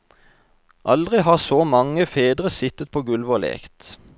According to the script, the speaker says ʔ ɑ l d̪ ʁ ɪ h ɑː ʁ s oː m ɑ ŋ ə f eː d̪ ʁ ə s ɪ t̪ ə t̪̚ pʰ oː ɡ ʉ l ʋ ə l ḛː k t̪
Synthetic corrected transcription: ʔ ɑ l d̪ ʁ ɪ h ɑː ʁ s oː m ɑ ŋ ə f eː d̪ ʁ ə s ɪ t̪ ə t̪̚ pʰ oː ɡ ʉ l ʋ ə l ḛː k t̪